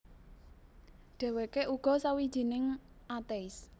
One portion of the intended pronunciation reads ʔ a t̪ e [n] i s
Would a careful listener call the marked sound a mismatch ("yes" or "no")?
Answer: yes